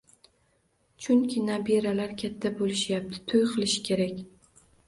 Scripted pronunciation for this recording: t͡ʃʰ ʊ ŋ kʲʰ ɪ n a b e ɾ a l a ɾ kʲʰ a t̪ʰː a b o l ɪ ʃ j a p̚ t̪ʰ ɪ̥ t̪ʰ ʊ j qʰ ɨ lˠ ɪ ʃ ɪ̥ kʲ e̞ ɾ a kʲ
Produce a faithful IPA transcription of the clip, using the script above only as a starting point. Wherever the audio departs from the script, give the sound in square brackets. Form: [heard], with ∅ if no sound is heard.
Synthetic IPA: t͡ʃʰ ʊ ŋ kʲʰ ɪ n a b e ɾ a l a ɾ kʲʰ a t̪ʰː a b o l ɪ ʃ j a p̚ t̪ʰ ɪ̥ t̪ʰ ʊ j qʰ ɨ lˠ ɪ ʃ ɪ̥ kʲ e̞ ɾ a kʲ